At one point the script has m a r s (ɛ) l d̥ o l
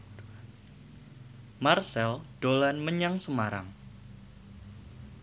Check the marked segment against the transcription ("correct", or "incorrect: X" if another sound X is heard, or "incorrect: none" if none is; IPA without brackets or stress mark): correct